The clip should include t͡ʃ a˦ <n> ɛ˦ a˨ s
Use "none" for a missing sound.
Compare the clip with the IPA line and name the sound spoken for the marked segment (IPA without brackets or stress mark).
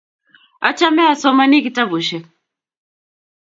m